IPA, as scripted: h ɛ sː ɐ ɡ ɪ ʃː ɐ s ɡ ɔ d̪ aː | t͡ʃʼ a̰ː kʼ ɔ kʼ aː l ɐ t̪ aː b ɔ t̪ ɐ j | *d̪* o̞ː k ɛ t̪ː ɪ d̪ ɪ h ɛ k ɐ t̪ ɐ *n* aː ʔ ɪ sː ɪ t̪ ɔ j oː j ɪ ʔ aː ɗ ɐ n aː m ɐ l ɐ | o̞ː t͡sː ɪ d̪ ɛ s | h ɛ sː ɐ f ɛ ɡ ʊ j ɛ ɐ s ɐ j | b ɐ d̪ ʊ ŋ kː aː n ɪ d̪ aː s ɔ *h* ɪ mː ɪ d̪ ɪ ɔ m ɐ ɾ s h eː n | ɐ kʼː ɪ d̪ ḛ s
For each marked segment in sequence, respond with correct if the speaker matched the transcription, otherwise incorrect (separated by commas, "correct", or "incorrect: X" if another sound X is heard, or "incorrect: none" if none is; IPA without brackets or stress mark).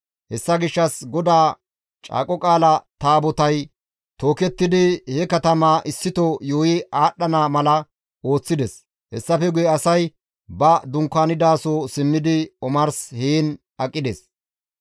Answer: incorrect: t̪, incorrect: m, incorrect: s